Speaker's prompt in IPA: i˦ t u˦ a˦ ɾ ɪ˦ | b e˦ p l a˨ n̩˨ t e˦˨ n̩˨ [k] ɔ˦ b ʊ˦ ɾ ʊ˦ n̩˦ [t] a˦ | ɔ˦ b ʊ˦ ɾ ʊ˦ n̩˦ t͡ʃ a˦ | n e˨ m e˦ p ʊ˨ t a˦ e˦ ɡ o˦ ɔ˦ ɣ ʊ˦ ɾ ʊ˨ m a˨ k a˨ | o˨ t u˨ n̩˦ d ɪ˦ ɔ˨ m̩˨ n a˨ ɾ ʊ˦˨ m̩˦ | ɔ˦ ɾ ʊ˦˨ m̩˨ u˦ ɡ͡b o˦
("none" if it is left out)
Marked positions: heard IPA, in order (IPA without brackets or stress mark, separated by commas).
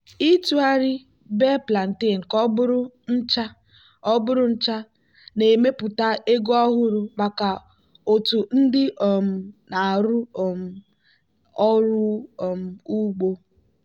k, t͡ʃ